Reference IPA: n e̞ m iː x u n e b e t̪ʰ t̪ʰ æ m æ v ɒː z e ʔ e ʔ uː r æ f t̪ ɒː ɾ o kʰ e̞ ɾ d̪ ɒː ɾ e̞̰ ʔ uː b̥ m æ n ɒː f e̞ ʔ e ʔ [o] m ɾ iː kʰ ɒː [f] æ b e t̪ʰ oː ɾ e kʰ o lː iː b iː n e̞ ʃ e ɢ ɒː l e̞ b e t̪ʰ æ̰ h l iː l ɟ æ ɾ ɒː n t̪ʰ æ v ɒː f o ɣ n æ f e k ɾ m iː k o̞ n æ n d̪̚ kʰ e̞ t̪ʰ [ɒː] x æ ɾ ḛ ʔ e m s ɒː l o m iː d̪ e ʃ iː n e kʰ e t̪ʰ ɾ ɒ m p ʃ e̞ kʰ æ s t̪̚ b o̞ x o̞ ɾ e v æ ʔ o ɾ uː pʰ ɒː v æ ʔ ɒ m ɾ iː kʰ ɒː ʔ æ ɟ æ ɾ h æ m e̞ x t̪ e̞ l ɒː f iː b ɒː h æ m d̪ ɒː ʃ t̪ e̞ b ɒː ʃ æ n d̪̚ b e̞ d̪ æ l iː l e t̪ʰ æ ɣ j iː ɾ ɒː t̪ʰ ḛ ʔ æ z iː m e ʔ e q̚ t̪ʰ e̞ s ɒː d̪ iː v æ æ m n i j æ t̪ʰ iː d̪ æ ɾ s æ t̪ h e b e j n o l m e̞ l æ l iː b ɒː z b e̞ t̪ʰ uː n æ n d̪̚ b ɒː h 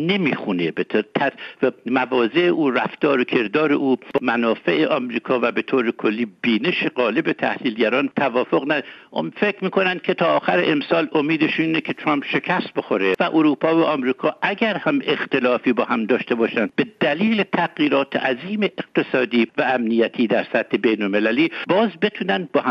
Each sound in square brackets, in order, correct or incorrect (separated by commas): incorrect, incorrect, correct